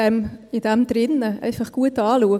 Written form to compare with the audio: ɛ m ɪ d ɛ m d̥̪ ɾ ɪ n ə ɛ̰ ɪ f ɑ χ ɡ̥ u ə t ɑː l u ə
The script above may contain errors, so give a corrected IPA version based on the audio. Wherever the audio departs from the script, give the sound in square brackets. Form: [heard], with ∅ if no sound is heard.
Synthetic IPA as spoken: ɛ m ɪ d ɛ m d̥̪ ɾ ɪ n ə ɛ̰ ɪ f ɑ χ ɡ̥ u ə t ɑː l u ə